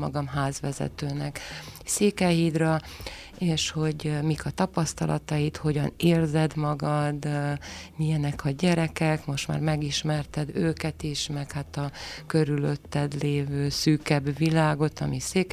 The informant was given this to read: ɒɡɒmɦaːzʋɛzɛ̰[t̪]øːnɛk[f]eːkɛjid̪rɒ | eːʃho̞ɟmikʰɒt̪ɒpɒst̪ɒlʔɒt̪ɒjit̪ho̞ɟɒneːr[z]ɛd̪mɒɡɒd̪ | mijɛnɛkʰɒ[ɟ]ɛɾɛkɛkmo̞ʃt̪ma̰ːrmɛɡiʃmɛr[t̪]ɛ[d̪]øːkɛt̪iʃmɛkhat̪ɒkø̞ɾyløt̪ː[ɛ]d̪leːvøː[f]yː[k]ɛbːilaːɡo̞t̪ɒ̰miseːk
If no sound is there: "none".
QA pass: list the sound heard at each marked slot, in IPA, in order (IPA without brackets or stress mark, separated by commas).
t̪, s, z, ɟ, t̪, d̪, ɛ, s, k